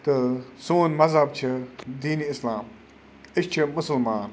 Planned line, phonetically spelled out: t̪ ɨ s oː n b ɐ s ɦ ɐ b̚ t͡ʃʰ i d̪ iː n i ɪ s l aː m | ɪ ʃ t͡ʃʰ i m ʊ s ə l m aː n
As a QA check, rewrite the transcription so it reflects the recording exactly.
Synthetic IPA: t̪ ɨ s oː n m ɐ z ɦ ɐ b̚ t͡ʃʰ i d̪ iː n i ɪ s l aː m | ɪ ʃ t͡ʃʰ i m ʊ s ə l m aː n